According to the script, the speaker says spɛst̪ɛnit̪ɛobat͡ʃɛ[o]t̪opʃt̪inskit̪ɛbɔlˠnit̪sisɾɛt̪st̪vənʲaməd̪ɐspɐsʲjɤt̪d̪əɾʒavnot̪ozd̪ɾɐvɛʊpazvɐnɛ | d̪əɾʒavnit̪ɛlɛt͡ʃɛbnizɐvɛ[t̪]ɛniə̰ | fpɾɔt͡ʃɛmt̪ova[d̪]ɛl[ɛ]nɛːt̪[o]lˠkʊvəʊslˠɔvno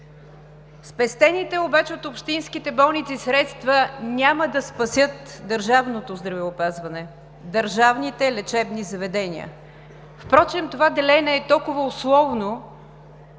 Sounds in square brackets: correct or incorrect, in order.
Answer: correct, incorrect, correct, correct, incorrect

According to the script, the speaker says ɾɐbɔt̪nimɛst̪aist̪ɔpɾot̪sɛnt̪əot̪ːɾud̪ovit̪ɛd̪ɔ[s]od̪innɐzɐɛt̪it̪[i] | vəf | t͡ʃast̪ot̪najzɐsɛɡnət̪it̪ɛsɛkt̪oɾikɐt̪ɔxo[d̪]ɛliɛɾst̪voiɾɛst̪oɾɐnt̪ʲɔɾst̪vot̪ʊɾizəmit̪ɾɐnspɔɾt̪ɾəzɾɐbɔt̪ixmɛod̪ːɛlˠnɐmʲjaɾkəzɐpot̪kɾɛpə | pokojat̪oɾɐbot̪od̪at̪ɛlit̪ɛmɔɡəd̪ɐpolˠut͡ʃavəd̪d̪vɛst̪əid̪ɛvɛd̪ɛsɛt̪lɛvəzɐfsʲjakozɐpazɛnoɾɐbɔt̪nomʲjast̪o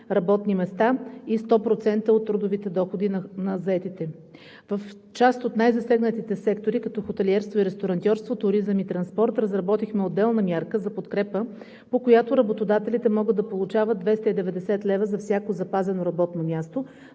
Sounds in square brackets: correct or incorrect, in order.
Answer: incorrect, incorrect, incorrect

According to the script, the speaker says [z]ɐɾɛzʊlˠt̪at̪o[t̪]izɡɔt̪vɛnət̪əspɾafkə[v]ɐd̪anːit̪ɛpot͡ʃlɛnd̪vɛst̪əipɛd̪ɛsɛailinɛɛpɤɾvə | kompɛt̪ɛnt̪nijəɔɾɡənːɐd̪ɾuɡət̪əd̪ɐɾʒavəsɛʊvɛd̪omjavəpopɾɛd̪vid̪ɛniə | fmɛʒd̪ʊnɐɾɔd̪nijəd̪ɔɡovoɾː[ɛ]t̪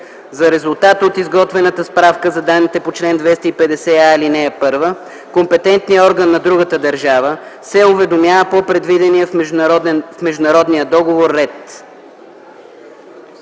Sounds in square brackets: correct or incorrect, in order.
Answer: correct, correct, incorrect, correct

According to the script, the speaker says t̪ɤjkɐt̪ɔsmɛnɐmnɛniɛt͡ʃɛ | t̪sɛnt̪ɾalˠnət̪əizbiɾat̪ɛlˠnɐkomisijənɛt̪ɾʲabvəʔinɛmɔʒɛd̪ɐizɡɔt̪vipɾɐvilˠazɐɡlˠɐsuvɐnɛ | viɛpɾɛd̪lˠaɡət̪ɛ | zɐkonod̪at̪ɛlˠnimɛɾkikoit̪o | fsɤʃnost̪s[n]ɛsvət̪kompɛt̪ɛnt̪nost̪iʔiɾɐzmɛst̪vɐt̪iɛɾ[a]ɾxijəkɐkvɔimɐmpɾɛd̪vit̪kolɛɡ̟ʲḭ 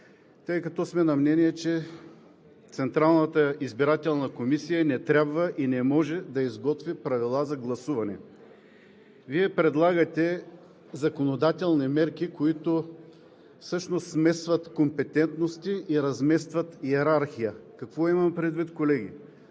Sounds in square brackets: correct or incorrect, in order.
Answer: incorrect, correct

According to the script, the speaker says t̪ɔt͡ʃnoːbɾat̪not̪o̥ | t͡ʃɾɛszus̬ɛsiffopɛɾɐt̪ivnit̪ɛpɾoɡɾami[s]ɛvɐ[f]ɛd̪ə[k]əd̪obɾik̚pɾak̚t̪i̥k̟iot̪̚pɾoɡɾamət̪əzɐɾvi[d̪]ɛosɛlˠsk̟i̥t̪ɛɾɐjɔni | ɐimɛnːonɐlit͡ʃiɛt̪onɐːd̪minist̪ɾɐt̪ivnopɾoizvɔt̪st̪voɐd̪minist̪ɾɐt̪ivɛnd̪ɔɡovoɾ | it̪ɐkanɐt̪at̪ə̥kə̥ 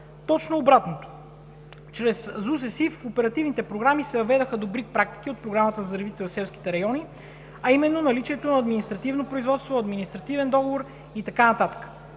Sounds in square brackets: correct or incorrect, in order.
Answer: correct, incorrect, incorrect, incorrect

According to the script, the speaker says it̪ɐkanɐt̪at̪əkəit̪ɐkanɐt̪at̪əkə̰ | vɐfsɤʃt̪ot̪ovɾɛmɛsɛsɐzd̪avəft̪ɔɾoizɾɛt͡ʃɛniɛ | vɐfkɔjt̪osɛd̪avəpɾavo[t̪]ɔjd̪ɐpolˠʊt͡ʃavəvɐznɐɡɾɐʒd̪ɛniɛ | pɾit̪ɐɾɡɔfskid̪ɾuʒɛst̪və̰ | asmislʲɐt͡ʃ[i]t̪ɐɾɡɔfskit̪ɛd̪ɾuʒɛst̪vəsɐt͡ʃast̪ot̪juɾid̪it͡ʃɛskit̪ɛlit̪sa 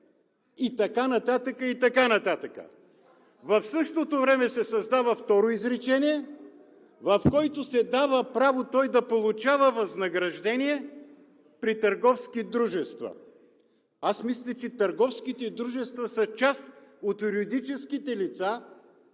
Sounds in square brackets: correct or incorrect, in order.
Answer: correct, incorrect

